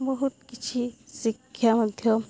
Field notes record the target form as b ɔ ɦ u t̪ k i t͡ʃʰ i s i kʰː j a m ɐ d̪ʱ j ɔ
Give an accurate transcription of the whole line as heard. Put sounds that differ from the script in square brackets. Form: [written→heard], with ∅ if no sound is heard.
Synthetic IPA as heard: b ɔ ɦ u t̪ k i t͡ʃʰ i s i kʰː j a m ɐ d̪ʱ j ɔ

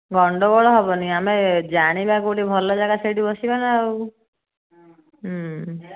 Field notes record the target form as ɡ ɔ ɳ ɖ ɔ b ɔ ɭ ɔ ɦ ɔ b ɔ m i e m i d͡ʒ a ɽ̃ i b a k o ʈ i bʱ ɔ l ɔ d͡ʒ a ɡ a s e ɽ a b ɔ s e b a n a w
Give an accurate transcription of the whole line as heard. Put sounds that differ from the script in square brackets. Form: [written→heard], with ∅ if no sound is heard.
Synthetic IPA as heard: ɡ ɔ ɳ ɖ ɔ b ɔ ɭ ɔ ɦ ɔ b ɔ [m→n] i [e→a] m [i→e] d͡ʒ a ɽ̃ i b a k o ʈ i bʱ ɔ l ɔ d͡ʒ a ɡ a s e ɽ [a→i] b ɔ s [e→i] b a n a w

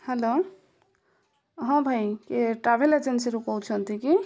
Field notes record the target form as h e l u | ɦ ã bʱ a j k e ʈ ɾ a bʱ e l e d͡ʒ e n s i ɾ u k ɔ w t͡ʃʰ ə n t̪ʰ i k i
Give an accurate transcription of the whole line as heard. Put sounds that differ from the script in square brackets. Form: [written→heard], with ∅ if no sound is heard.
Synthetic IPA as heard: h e l [u→o] | ɦ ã bʱ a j k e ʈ ɾ a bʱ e l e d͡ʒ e n s i ɾ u k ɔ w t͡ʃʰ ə n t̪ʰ i k i

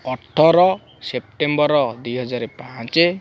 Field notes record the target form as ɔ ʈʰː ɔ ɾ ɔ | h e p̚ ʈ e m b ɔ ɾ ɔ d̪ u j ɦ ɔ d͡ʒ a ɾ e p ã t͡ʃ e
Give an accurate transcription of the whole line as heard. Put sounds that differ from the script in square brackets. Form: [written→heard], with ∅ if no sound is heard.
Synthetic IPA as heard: ɔ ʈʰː ɔ ɾ ɔ | [h→s] e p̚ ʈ e m b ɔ ɾ ɔ d̪ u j ɦ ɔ d͡ʒ a ɾ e p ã t͡ʃ e

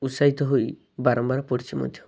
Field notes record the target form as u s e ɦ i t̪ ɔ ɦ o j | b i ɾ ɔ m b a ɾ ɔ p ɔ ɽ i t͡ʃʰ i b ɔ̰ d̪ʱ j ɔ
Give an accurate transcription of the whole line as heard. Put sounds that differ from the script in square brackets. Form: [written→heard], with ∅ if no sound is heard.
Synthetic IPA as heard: u s [e→a] ɦ i t̪ ɔ ɦ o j | b [i→a] ɾ ɔ m b a ɾ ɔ p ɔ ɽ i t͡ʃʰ i [b→m] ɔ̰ d̪ʱ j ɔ

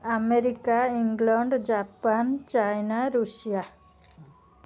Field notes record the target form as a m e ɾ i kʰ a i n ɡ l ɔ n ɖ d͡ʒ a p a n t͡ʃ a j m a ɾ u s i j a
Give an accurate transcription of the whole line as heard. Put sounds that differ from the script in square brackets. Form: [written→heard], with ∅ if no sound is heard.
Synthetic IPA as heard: a m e ɾ i [kʰ→k] a i [n→ŋ] ɡ l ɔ [n→ɳ] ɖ d͡ʒ a p a n t͡ʃ a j [m→n] a ɾ u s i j a

